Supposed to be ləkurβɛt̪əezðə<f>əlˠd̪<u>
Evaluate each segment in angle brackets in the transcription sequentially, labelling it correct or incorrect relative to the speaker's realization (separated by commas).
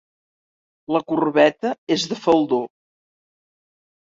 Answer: correct, incorrect